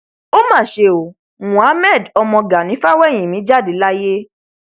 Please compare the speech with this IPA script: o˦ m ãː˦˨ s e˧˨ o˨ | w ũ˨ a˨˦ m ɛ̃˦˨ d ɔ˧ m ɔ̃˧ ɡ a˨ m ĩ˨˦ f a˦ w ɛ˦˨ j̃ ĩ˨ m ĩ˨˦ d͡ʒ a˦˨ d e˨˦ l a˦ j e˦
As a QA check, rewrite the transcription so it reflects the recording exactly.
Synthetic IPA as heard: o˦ m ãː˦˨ ʃ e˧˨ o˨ | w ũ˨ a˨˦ m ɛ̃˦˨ d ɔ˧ m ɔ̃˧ ɡ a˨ n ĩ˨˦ f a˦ w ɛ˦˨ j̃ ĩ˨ m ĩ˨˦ d͡ʒ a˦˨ d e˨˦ l a˦ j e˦